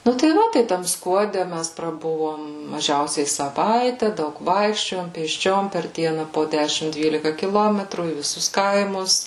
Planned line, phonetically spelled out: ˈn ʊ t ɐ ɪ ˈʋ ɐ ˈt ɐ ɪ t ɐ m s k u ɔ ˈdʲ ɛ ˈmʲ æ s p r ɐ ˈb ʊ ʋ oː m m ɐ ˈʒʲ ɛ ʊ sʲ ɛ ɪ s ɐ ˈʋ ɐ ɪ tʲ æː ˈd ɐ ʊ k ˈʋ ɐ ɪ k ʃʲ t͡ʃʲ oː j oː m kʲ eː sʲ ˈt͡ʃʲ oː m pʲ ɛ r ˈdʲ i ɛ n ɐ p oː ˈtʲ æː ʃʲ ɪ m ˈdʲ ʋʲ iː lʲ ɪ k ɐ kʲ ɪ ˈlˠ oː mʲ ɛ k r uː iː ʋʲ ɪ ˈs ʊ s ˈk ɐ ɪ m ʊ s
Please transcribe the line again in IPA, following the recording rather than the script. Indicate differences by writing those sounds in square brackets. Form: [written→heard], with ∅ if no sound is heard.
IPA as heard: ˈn ʊ t ɐ ɪ ˈʋ ɐ ˈt ɐ ɪ t ɐ m s k u ɔ ˈdʲ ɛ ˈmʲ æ s p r ɐ ˈb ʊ ʋ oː m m ɐ ˈʒʲ ɛ ʊ sʲ ɛ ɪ s ɐ ˈʋ ɐ ɪ tʲ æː ˈd ɐ ʊ k ˈʋ ɐ ɪ k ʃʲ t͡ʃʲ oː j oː m [kʲ→pʲ] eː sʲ ˈt͡ʃʲ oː m pʲ ɛ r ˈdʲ i ɛ n ɐ p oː [ˈtʲ→ˈdʲ] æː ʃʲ ɪ m ˈdʲ ʋʲ iː lʲ ɪ k ɐ kʲ ɪ ˈlˠ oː mʲ ɛ [k→t] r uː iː ʋʲ ɪ ˈs ʊ s ˈk ɐ ɪ m ʊ s

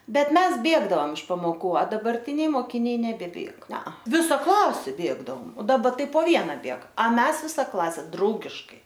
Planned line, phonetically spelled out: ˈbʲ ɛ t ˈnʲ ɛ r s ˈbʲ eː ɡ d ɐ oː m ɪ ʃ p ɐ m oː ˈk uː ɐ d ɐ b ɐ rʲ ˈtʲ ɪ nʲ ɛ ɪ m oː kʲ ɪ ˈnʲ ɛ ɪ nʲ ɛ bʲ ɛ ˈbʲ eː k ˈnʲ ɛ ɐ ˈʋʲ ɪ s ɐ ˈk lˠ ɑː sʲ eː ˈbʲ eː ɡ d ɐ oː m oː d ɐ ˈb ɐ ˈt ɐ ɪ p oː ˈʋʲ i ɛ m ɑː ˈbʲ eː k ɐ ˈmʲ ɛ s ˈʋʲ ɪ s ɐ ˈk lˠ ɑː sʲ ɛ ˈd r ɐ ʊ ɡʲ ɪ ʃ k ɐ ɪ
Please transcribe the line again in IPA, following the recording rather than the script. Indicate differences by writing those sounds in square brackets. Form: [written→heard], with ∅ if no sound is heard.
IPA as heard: ˈbʲ ɛ t [ˈnʲ→ˈmʲ] ɛ [r→∅] s ˈbʲ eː ɡ d ɐ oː m ɪ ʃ p ɐ m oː ˈk uː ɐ d ɐ b ɐ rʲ ˈtʲ ɪ nʲ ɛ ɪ m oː kʲ ɪ ˈnʲ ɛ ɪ nʲ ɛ bʲ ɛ ˈbʲ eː k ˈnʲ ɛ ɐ ˈʋʲ ɪ s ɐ ˈk lˠ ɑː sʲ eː ˈbʲ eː ɡ d ɐ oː m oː d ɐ ˈb ɐ ˈt ɐ ɪ p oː ˈʋʲ i ɛ [m→n] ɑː ˈbʲ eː k ɐ ˈmʲ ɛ s ˈʋʲ ɪ s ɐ ˈk lˠ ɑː sʲ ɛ ˈd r ɐ ʊ ɡʲ ɪ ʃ k ɐ ɪ

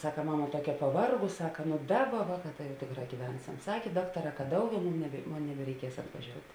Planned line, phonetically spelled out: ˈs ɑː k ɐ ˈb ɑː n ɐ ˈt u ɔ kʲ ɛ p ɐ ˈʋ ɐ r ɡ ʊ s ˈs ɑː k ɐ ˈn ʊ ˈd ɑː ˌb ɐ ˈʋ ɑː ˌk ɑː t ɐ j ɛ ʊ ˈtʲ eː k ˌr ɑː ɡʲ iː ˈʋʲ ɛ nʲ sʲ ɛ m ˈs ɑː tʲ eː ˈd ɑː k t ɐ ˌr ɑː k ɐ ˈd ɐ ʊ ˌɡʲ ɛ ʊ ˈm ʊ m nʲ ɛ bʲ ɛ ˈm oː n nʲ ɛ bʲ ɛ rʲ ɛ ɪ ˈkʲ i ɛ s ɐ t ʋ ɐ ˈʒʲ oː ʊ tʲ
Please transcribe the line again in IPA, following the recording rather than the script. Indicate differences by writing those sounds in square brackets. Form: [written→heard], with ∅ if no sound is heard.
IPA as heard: ˈs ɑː k ɐ [ˈb→ˈm] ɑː [n→m] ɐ ˈt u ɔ kʲ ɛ p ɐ ˈʋ ɐ r ɡ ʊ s ˈs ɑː k ɐ ˈn ʊ ˈd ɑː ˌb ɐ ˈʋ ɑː ˌk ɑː t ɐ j ɛ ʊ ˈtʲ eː k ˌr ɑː ɡʲ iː ˈʋʲ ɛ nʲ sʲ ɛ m ˈs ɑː [tʲ→kʲ] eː ˈd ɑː k t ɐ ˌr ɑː k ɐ ˈd ɐ ʊ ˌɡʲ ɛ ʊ ˈm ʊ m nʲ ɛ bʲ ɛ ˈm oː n nʲ ɛ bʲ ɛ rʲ ɛ ɪ ˈkʲ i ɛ s ɐ t ʋ ɐ ˈʒʲ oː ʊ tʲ

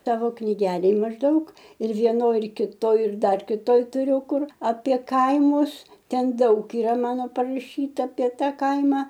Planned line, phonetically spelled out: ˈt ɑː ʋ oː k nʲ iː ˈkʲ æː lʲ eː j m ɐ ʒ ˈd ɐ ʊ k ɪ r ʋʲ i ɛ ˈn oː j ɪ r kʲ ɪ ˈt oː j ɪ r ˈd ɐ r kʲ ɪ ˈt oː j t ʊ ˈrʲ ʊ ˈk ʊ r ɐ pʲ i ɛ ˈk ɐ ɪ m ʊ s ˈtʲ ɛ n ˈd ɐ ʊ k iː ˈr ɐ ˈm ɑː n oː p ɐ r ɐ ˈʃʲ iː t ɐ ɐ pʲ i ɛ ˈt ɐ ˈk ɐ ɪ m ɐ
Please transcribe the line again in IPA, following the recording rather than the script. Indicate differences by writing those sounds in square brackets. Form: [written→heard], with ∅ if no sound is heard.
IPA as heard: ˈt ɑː ʋ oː k nʲ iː [ˈkʲ→ˈɡʲ] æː lʲ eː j m ɐ ʒ ˈd ɐ ʊ k ɪ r ʋʲ i ɛ ˈn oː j ɪ r kʲ ɪ ˈt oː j ɪ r ˈd ɐ r kʲ ɪ ˈt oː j t ʊ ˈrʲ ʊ ˈk ʊ r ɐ pʲ i ɛ ˈk ɐ ɪ m ʊ s ˈtʲ ɛ n ˈd ɐ ʊ k iː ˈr ɐ ˈm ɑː n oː p ɐ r ɐ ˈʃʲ iː t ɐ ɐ pʲ i ɛ ˈt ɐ ˈk ɐ ɪ m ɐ

